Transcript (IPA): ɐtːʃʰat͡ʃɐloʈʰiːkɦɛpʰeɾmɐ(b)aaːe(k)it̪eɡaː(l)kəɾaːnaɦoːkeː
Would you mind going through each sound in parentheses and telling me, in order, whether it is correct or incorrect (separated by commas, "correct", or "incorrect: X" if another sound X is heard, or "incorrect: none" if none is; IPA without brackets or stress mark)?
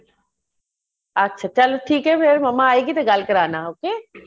incorrect: m, incorrect: ɡ, correct